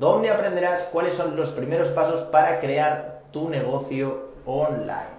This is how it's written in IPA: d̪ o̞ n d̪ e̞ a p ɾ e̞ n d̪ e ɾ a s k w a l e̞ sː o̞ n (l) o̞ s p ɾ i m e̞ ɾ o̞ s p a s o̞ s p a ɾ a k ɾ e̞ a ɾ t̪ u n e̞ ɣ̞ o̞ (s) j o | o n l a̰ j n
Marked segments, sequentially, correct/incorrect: correct, incorrect

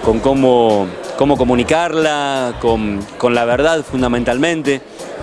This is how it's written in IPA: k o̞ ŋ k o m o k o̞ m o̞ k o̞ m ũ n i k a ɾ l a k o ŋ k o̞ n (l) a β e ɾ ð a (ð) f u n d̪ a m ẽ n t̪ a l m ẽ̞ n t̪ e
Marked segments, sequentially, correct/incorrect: correct, correct

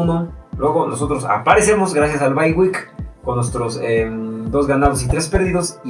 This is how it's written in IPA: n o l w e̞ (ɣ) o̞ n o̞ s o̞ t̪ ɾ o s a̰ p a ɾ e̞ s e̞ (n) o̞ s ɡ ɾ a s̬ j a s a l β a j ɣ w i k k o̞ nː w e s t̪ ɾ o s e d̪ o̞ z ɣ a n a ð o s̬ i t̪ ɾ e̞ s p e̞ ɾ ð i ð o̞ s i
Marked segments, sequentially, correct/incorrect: correct, incorrect

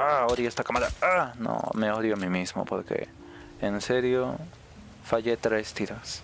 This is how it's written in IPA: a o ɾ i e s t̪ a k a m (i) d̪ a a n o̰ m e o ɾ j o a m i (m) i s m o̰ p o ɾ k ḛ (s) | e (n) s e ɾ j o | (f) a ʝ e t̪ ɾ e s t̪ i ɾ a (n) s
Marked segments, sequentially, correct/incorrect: incorrect, correct, incorrect, correct, correct, incorrect

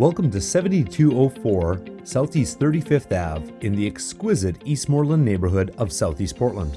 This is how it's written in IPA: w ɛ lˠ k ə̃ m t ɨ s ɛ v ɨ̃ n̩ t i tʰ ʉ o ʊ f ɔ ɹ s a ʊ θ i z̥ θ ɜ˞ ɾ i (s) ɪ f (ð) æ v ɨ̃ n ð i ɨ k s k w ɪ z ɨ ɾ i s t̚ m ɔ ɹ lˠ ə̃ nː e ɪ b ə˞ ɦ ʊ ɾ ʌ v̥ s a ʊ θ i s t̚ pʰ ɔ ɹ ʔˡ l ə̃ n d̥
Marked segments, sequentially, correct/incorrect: incorrect, incorrect

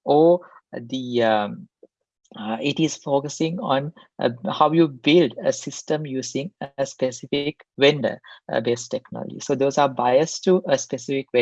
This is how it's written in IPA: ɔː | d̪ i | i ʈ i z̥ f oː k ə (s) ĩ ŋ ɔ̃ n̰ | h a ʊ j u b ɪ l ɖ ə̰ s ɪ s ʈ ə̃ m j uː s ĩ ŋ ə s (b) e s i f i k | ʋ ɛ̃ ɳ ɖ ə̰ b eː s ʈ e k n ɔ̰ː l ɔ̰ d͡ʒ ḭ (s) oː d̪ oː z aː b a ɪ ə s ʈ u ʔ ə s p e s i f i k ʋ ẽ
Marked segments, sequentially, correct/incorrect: correct, incorrect, correct

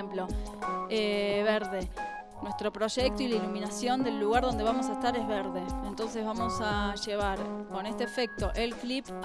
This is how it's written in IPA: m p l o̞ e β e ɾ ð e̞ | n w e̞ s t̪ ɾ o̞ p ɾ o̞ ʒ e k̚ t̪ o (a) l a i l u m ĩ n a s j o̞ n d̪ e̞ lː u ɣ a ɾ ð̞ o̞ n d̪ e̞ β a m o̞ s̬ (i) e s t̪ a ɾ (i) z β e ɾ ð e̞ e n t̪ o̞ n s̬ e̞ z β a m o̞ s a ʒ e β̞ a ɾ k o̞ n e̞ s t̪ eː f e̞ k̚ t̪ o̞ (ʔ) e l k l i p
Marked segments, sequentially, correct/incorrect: incorrect, incorrect, incorrect, correct

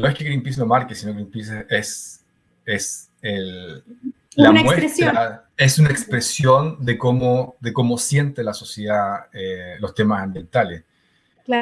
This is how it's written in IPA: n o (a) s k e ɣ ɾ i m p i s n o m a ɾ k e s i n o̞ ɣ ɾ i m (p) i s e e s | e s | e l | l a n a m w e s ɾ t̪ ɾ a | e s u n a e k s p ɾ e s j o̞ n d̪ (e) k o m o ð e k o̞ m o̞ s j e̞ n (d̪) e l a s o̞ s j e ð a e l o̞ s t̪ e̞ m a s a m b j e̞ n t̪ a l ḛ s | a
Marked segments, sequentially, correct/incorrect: incorrect, correct, correct, incorrect

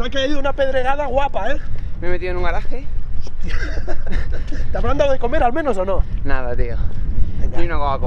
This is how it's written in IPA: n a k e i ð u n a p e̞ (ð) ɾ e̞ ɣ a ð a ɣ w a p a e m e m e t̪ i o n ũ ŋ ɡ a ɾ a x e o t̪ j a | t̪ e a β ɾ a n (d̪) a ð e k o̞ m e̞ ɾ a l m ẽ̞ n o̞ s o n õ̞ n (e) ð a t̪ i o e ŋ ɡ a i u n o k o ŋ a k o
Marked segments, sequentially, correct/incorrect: correct, correct, incorrect

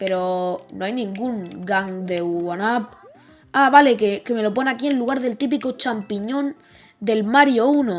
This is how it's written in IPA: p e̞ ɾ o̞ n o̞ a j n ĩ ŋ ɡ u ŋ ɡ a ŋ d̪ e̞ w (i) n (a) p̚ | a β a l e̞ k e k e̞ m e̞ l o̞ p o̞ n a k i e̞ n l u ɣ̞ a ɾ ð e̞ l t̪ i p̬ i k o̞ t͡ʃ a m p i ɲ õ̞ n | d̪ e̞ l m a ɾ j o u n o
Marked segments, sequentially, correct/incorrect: incorrect, correct

